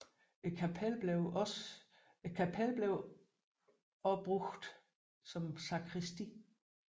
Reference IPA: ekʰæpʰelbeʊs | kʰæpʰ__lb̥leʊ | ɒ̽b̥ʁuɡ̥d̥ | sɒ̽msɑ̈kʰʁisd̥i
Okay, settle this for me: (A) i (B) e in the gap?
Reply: B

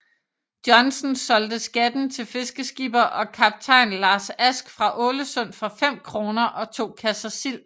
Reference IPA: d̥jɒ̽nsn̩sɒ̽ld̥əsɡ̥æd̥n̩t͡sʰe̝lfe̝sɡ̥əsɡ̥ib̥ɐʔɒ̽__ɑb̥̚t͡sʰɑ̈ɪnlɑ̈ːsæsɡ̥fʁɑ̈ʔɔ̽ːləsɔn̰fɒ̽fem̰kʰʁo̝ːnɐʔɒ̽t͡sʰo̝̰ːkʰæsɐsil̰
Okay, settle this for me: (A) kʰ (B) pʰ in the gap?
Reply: A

